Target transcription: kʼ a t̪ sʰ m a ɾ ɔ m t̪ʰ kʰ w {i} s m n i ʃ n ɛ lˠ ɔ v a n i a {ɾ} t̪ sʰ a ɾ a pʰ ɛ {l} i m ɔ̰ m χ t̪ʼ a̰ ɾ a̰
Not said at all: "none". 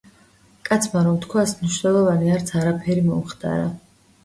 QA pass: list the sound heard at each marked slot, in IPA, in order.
a, ɾ, ɾ

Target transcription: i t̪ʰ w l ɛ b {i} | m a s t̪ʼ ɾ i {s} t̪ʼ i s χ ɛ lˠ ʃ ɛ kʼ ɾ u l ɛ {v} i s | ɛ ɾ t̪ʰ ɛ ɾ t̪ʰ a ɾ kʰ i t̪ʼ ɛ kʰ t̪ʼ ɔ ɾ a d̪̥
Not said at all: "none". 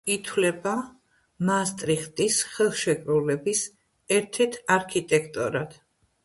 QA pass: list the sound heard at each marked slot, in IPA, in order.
a, χ, b

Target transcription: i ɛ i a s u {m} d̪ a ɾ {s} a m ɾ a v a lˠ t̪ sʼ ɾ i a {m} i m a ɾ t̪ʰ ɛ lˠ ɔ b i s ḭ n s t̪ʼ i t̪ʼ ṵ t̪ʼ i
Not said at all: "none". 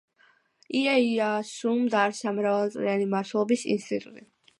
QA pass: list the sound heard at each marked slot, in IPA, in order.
m, s, n

